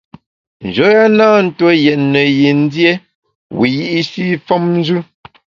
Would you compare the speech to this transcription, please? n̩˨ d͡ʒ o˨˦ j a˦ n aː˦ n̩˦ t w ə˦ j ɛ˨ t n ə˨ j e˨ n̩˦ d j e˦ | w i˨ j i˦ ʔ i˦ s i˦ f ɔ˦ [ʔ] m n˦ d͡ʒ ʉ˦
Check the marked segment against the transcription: incorrect: none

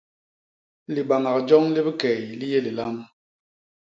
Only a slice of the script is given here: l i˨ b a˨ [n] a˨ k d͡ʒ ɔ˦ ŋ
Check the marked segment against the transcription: incorrect: ŋ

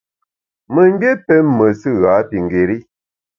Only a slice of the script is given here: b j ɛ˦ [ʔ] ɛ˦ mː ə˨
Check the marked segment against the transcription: incorrect: p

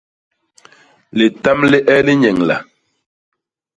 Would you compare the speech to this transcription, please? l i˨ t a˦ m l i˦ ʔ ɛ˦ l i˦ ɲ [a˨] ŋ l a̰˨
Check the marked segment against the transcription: incorrect: ɛ˨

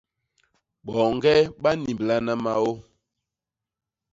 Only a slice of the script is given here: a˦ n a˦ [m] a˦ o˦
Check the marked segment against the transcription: correct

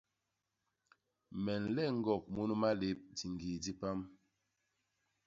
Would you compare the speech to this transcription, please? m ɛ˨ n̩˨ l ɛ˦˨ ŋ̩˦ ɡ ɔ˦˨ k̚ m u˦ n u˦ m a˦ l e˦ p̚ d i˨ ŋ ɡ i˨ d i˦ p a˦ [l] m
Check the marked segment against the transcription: incorrect: none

